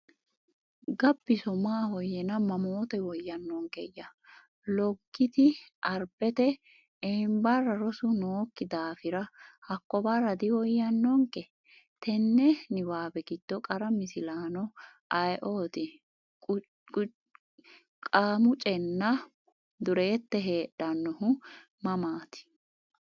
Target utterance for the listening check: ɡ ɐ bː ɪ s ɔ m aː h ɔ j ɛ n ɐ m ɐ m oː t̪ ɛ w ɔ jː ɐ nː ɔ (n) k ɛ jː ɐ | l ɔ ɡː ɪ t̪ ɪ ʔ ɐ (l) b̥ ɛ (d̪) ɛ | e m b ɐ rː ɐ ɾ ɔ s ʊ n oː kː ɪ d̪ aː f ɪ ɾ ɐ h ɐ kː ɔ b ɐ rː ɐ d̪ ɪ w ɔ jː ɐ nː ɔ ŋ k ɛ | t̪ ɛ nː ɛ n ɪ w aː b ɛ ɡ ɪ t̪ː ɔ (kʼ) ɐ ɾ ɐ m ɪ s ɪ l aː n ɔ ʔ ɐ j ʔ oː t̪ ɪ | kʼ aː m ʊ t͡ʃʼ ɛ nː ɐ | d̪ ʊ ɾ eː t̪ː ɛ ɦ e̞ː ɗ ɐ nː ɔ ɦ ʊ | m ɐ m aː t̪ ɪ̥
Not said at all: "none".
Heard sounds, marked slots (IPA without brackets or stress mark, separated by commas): ŋ, ɾ, t̪, kʼ